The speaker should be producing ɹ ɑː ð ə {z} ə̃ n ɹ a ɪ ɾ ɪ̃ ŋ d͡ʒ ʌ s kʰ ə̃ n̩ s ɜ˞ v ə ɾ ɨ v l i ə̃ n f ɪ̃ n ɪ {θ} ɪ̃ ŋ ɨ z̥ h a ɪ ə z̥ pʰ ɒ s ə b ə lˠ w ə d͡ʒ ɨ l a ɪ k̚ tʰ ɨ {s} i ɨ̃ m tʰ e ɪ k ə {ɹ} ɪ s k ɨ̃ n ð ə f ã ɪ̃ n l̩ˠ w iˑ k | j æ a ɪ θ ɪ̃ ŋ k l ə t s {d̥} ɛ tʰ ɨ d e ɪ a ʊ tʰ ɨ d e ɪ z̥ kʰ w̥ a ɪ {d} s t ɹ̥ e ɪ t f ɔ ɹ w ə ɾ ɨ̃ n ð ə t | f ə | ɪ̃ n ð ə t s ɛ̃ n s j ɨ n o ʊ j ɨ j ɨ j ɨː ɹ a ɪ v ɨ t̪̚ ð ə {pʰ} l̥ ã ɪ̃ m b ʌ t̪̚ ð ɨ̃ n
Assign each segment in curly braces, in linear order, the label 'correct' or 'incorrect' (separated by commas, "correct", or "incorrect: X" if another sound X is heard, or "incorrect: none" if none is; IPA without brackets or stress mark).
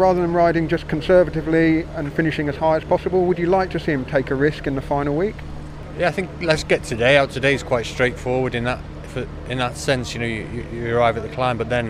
incorrect: ð, incorrect: ʃ, correct, correct, incorrect: ɡ̥, incorrect: t, incorrect: kʰ